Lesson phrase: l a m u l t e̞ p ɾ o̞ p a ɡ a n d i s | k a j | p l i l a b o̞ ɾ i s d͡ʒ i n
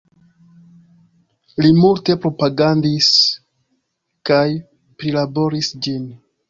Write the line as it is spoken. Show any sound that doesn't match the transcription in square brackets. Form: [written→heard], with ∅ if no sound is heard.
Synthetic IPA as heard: l [a→i] m u l t e̞ p ɾ o̞ p a ɡ a n d i s | k a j | p [l→ɾ] i l a b o̞ ɾ i s d͡ʒ i n